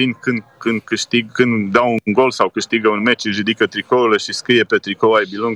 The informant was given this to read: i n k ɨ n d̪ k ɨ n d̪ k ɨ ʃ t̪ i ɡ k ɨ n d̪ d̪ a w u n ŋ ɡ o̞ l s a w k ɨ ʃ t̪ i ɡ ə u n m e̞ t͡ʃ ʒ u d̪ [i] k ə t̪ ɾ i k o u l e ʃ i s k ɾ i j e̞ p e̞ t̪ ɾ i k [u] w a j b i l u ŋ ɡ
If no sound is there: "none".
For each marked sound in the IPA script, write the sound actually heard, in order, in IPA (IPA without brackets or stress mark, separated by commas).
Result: i, o